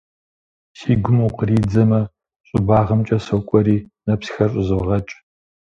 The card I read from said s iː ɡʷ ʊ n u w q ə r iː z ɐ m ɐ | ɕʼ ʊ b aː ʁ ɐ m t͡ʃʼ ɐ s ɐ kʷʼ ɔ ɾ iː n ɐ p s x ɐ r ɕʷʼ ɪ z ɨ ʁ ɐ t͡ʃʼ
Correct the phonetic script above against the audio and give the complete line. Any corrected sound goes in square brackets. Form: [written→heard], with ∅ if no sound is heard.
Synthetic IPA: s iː ɡʷ ʊ [n→m] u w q ə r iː [z→d͡z] ɐ m ɐ | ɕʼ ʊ b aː ʁ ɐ m t͡ʃʼ ɐ s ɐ kʷʼ ɔ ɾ iː n ɐ p s x ɐ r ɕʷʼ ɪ z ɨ ʁ ɐ t͡ʃʼ